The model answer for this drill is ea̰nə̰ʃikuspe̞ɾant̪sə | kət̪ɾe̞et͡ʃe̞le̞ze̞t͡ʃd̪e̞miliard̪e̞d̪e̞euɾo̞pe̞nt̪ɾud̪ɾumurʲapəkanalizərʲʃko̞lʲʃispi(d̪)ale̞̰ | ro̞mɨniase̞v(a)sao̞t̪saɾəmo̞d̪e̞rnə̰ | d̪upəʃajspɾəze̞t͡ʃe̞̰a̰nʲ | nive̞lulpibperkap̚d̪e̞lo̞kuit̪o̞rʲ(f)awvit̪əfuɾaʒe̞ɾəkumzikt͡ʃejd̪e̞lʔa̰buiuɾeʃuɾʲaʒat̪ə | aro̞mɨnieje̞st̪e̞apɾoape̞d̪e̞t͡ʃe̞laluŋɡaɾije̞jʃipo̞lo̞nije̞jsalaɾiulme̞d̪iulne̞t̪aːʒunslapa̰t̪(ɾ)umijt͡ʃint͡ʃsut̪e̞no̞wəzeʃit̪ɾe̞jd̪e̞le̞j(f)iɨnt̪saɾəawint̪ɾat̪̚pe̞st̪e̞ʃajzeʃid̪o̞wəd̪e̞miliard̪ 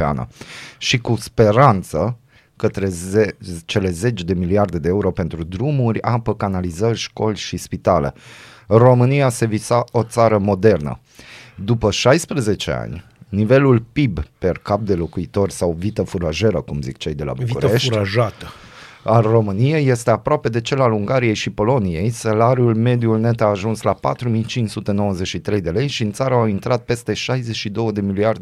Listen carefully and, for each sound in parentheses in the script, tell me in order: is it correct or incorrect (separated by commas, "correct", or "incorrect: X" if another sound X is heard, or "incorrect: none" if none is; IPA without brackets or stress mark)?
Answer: incorrect: t̪, incorrect: i, incorrect: s, correct, incorrect: ʃ